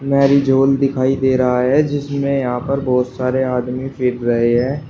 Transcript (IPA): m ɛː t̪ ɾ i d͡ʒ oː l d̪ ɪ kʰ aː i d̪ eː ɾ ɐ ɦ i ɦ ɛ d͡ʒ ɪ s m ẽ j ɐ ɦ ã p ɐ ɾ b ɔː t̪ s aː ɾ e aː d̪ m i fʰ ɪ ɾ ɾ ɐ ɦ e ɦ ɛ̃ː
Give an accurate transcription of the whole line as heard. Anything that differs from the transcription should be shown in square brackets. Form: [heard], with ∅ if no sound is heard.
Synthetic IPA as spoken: m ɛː [∅] ɾ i d͡ʒ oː l d̪ ɪ kʰ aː i d̪ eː ɾ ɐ ɦ [a] ɦ ɛ d͡ʒ ɪ s m ẽ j ɐ ɦ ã p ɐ ɾ b ɔː t̪ s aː ɾ e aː d̪ m i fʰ ɪ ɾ ɾ ɐ ɦ e ɦ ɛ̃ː